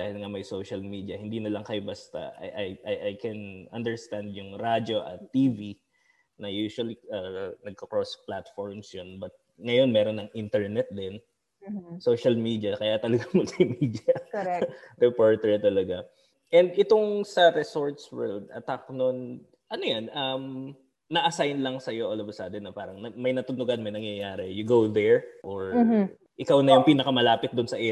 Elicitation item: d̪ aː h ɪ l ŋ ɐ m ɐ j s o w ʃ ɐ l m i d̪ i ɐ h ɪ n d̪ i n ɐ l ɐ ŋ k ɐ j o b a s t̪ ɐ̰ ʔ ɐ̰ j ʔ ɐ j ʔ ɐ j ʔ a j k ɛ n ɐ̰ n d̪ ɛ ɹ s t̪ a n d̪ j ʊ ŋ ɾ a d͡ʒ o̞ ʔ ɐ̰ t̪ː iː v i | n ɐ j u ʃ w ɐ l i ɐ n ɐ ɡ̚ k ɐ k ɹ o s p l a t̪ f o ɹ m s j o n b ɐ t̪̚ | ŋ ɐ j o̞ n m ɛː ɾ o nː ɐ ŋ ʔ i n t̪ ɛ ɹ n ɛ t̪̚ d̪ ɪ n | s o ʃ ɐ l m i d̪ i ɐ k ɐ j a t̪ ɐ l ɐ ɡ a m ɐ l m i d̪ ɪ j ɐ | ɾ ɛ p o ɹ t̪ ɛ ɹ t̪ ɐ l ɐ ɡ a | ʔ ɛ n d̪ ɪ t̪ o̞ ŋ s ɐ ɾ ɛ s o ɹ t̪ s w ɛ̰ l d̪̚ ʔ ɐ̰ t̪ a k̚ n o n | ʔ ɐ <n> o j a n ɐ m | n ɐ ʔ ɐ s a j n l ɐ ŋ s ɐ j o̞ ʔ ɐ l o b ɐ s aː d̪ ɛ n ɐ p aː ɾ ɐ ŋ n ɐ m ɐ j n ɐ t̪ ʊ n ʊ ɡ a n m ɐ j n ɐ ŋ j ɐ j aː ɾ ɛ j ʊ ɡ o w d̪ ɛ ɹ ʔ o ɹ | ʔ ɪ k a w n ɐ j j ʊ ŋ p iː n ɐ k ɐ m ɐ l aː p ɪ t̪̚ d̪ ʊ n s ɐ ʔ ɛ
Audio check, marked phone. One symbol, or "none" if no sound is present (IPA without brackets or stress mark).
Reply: n